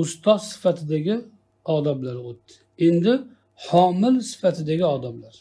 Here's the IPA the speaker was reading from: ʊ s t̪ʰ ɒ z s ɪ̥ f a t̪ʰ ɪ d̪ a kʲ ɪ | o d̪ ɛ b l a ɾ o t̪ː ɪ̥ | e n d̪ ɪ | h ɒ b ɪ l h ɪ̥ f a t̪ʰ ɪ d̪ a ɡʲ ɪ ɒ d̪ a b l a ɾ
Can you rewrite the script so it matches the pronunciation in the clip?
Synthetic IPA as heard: ʊ s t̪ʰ ɒ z s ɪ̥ f a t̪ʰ ɪ d̪ a ɡʲ ɪ | ɒ d̪ a b l a ɾ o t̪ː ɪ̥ | e n d̪ ɪ | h ɒ m ɪ l s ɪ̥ f a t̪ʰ ɪ d̪ a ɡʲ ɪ ɒ d̪ a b l a ɾ

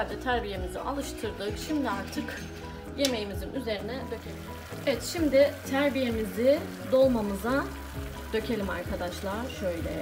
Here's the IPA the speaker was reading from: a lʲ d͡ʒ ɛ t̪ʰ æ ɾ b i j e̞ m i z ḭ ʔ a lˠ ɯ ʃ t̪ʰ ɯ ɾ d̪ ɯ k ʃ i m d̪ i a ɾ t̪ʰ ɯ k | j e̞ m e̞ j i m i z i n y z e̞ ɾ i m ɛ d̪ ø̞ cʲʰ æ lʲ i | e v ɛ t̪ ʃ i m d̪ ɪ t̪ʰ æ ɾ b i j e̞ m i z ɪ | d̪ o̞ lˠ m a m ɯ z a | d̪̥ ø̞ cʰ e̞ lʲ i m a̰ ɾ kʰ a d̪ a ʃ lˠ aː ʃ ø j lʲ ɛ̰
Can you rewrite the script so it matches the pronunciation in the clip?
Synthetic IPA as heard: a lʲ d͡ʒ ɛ t̪ʰ æ ɾ b i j e̞ m i z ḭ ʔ a lˠ ɯ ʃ t̪ʰ ɯ ɾ d̪ ɯ k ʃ i m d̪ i a ɾ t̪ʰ ɯ k | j e̞ m e̞ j i m i z i n y z e̞ ɾ i n ɛ d̪ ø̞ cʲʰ e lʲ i | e v ɛ t̪ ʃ i m d̪ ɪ t̪ʰ æ ɾ b i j e̞ m i z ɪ | d̪ o̞ lˠ m a m ɯ z a | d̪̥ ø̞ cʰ e̞ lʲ i m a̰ ɾ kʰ a d̪ a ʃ lˠ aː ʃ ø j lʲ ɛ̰

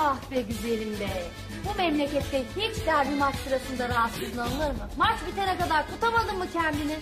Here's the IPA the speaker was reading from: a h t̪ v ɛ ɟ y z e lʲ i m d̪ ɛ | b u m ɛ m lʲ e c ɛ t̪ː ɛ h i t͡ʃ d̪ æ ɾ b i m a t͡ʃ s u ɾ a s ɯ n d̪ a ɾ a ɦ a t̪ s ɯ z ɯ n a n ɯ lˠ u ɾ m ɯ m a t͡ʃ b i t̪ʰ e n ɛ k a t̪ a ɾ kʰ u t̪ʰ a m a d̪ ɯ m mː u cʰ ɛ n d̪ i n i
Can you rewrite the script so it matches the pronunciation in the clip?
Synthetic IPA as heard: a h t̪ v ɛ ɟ y z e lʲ i m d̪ ɛ | b u m ɛ m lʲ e c ɛ t̪ː ɛ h i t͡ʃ d̪ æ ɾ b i m a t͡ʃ s ɯ ɾ a s ɯ n d̪ a ɾ a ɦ a t̪ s ɯ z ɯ n a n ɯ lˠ ɯ ɾ m ɯ m a t͡ʃ b i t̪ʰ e n ɛ k a d̪ a ɾ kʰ u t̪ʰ a m a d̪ ɯ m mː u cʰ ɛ n d̪ i n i

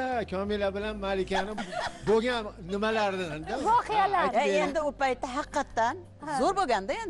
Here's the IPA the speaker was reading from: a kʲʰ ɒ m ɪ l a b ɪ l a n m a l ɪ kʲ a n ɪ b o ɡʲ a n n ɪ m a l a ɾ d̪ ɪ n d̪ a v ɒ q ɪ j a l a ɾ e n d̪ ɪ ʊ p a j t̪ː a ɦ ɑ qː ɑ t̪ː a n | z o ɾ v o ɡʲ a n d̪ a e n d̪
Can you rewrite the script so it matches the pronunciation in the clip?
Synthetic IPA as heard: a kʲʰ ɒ m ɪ l a b ɪ l a n m a l ɪ kʲ a n ɪ b o ɡʲ a n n ɪ m a l a ɾ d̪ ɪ n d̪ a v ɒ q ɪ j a l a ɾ e n d̪ ɪ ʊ p a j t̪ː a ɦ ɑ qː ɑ t̪ː a n | z o ɾ b o ɡʲ a n d̪ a e n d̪

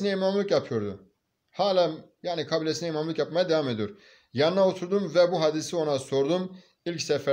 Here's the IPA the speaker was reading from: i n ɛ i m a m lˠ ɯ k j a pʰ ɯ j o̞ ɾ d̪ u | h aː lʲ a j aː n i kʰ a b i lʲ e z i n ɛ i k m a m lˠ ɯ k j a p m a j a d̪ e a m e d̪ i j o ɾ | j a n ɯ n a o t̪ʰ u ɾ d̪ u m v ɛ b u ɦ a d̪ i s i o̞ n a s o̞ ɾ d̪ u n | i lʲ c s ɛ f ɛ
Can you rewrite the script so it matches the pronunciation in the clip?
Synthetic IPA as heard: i n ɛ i m a m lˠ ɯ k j a pʰ ɯ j o̞ ɾ d̪ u | h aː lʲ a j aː n i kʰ a b i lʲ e s i n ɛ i m a m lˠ ɯ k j a p m a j a d̪ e a m e d̪ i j o ɾ | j a n ɯ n a o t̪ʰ u ɾ d̪ u m v ɛ b u ɦ a d̪ i s i o̞ n a s o̞ ɾ d̪ u m | i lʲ c s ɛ f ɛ

